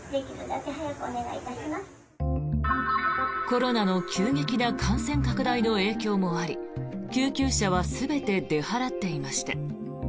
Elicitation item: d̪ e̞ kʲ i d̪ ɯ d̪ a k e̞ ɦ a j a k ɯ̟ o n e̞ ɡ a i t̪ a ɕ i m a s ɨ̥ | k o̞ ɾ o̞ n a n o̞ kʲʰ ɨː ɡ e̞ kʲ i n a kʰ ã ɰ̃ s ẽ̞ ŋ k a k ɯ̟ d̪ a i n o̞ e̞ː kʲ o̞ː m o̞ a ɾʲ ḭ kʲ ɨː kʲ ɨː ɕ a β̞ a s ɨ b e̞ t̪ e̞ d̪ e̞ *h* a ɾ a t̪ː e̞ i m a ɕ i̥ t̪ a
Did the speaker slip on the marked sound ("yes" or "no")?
no